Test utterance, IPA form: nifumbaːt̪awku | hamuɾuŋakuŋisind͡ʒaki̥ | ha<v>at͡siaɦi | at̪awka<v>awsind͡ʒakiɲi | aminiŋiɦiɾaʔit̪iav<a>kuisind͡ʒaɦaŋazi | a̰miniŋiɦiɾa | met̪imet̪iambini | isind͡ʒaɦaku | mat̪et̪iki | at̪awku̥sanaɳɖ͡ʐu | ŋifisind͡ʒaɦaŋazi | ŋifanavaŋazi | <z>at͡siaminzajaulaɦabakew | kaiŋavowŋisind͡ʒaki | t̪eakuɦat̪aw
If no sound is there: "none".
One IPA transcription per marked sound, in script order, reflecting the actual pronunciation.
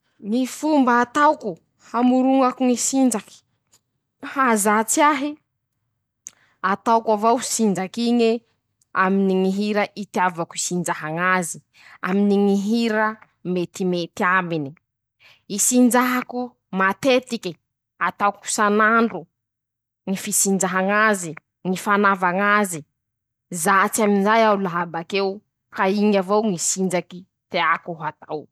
z, v, a, z

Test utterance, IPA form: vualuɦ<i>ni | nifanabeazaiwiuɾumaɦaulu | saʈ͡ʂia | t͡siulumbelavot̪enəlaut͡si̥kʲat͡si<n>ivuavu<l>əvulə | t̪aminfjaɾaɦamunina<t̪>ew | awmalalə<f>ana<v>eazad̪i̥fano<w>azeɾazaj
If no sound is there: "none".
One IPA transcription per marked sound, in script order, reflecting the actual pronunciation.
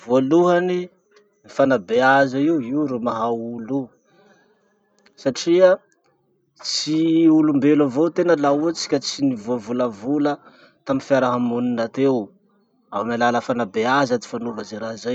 a, n, l, t̪, f, b, v

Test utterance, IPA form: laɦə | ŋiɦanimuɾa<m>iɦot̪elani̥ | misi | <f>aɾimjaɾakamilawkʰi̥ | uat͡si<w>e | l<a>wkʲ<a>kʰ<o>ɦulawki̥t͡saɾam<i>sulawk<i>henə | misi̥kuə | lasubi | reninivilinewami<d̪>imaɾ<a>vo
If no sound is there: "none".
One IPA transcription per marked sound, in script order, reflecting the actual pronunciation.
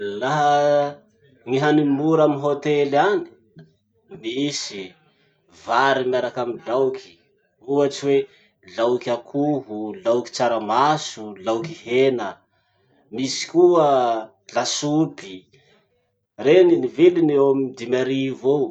m, v, w, a, a, u, a, i, d̪, i

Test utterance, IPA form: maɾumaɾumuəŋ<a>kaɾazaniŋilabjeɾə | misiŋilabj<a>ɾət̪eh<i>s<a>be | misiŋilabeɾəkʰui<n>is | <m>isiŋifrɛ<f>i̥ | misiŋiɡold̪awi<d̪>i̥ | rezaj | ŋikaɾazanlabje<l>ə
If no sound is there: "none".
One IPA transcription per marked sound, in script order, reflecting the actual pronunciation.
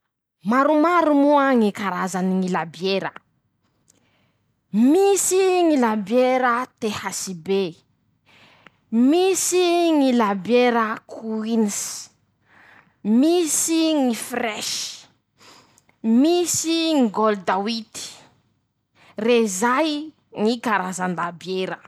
i, e, a, i, n, m, ʃ, t̪, ɾ

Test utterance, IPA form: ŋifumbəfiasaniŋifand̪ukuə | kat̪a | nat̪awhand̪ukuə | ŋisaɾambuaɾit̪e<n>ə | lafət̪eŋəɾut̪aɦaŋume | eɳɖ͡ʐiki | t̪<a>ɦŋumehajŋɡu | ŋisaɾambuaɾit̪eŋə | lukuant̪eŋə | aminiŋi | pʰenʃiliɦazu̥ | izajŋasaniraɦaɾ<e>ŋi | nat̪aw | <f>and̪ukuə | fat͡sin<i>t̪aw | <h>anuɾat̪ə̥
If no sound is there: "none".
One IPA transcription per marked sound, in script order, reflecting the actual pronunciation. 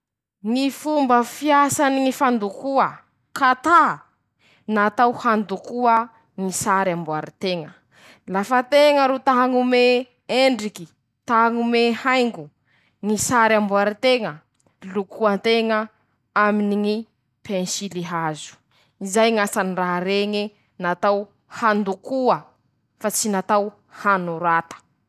ŋ, a, e, h, a, h

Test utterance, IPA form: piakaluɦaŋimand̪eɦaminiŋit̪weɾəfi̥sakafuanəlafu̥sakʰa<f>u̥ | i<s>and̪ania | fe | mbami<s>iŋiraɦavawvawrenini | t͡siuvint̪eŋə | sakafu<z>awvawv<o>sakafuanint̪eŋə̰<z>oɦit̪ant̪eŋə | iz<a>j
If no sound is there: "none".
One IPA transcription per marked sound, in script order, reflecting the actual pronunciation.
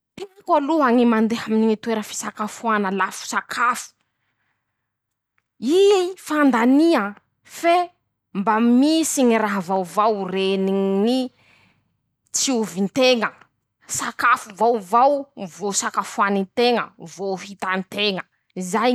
f, f, s, v, o, v, a

